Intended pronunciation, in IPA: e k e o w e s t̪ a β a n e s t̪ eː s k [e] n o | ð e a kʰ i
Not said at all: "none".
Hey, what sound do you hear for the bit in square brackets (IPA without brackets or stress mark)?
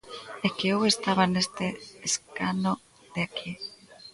a